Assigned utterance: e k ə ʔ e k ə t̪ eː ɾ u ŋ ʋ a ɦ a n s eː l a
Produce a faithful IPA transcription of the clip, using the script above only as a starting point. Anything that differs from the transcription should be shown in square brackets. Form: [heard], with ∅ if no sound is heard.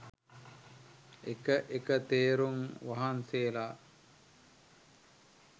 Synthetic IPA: e k ə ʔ e k ə t̪ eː ɾ u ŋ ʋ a ɦ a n s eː l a

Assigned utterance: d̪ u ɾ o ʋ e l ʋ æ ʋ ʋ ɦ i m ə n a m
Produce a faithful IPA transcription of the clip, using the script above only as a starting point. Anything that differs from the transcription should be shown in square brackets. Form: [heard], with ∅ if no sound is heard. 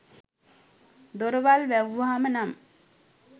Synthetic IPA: d̪ [o] ɾ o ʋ [a] l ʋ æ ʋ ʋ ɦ [a] m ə n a m

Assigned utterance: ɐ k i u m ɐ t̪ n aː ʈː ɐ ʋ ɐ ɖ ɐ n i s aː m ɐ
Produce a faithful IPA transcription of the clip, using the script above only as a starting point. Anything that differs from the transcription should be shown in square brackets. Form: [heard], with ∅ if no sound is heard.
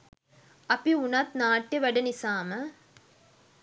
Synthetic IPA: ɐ [p] i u [n] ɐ t̪ n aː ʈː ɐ ʋ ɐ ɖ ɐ n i s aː m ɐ

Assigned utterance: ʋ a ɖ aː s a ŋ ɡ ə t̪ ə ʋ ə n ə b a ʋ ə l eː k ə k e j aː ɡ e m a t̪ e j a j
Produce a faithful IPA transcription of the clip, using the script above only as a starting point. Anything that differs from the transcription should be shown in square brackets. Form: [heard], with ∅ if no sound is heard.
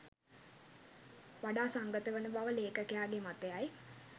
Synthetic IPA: ʋ a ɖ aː s a ŋ ɡ ə t̪ ə ʋ ə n ə b a ʋ ə l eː k ə k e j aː ɡ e m a t̪ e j a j

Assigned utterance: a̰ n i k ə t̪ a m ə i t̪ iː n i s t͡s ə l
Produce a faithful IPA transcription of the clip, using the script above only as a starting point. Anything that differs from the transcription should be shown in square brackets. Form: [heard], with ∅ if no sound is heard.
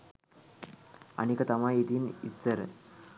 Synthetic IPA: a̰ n i k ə t̪ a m [a] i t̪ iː n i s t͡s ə [ɾ]

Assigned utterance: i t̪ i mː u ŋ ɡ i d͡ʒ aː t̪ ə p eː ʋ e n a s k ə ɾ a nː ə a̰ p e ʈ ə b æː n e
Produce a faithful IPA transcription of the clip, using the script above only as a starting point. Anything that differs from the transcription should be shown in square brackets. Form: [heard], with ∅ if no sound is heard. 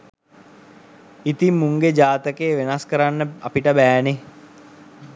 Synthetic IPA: i t̪ i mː u ŋ ɡ [e] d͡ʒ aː t̪ ə [k] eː ʋ e n a s k ə ɾ a nː ə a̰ p [i] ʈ ə b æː n e

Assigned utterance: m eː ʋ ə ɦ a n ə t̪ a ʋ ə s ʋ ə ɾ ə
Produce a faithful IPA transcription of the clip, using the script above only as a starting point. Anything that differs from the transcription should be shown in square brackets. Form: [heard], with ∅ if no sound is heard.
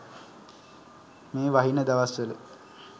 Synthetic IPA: m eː ʋ [a] ɦ [i] n ə [d̪] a ʋ [a] s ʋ ə [l] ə

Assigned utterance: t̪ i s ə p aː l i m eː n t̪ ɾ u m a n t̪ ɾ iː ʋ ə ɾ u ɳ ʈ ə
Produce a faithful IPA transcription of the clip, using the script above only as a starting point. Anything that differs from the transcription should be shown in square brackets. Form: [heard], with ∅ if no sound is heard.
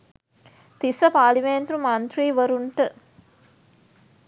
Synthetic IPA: t̪ i s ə p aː l i m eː n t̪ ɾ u m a n t̪ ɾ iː ʋ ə ɾ u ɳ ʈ ə

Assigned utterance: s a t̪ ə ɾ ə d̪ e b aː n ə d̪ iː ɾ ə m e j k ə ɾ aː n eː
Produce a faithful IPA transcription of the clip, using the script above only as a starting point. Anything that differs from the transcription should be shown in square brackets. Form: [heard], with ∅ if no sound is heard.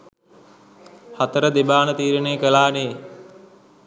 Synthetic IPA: [h] a t̪ ə ɾ ə d̪ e b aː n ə [t̪] iː ɾ ə [n] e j k ə [l] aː n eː

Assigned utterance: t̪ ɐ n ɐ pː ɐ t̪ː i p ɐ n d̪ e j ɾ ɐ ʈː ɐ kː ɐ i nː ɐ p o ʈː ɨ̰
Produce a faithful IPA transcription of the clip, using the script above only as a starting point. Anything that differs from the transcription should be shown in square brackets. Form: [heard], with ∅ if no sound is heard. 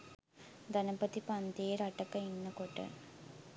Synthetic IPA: [d̪] ɐ n ɐ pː ɐ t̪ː i p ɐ n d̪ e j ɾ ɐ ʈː ɐ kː ɐ i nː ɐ [k] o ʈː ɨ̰

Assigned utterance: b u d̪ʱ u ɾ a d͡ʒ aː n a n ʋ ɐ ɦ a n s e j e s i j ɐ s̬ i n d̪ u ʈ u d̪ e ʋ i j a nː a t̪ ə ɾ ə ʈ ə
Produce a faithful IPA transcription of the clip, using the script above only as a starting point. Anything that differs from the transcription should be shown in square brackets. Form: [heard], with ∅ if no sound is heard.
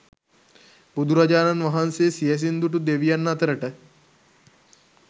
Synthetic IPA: b u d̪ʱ u ɾ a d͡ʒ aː n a n ʋ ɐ ɦ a n s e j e s i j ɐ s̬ i n d̪ u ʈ u d̪ e ʋ i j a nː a t̪ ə ɾ ə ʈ ə

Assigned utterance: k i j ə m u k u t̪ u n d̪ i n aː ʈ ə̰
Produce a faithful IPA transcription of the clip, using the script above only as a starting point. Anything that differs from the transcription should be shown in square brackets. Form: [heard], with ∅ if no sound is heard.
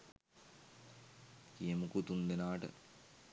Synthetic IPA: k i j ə m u k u t̪ u n d̪ [e] n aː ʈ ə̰

